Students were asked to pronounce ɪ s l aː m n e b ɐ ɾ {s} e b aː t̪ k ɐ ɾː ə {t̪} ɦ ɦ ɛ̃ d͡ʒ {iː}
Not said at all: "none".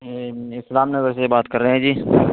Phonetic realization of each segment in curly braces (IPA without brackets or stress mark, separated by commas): s, none, iː